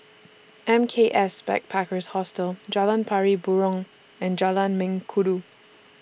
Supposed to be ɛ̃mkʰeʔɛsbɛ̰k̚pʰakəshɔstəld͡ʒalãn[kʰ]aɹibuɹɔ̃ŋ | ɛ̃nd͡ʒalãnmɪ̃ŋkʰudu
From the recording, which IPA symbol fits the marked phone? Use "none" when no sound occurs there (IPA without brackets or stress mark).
pʰ